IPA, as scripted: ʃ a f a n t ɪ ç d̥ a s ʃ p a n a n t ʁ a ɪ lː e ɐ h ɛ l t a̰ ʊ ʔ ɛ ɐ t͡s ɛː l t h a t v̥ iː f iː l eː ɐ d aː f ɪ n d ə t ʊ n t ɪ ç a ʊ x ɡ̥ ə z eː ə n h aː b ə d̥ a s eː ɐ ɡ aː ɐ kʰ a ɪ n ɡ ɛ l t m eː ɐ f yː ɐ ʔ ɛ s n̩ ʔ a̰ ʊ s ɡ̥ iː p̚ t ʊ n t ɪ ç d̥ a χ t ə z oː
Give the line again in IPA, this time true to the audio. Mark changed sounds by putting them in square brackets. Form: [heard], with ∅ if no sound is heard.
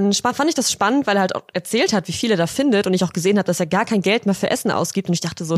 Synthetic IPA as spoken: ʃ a f a n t ɪ ç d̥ a s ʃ p a n [ə] n t [v] a ɪ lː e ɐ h [a] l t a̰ ʊ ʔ ɛ ɐ t͡s ɛː l t h a t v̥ iː f iː l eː ɐ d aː f ɪ n d ə t ʊ n t ɪ ç a ʊ x ɡ̥ ə z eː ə n h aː b ə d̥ a s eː ɐ ɡ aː ɐ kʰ a ɪ n ɡ ɛ l t m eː ɐ f yː ɐ ʔ ɛ s n̩ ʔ a̰ ʊ s ɡ̥ iː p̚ t ʊ n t ɪ ç d̥ a χ t ə z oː